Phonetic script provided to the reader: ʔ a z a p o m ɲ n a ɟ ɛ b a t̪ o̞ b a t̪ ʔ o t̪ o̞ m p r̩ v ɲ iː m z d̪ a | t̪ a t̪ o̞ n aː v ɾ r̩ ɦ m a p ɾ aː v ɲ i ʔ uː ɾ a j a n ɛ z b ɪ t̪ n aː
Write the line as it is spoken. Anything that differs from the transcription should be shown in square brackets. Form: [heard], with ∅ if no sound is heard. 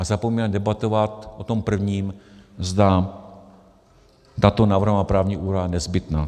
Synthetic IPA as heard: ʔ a z a p o m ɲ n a [d] ɛ b a t̪ o̞ [v] a t̪ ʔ o t̪ o̞ m p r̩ v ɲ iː m z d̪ a | t̪ a t̪ o̞ n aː v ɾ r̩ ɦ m a p ɾ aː v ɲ i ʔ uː ɾ a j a n ɛ z b ɪ t̪ n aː